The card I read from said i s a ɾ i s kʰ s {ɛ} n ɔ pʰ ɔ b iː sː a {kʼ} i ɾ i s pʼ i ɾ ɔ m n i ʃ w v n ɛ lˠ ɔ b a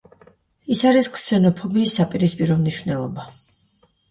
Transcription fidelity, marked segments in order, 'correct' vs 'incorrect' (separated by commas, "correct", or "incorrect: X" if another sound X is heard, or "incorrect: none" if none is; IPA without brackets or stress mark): correct, incorrect: pʼ